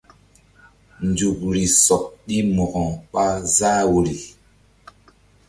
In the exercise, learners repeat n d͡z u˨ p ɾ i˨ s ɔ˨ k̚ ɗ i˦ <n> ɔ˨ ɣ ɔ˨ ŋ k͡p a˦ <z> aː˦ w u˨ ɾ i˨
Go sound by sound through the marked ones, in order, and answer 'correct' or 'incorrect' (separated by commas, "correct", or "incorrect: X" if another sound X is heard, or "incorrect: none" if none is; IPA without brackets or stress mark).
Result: incorrect: m, correct